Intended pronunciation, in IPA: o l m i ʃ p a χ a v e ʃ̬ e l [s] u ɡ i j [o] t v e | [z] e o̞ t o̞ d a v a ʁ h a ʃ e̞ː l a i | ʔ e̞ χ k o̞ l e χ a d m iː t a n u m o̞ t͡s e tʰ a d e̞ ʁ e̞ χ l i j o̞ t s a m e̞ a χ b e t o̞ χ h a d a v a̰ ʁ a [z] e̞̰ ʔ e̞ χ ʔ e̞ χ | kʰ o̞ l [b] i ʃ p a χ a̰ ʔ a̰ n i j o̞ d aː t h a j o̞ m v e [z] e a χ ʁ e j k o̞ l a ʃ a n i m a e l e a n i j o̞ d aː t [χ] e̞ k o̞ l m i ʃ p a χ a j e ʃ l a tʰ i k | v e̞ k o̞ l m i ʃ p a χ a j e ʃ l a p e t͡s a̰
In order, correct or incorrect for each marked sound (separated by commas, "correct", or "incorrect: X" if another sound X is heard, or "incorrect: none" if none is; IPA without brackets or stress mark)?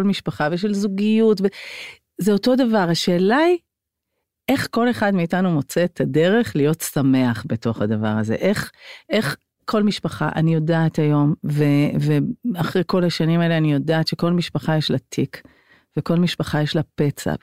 incorrect: z, incorrect: u, correct, correct, incorrect: m, incorrect: v, incorrect: ʃ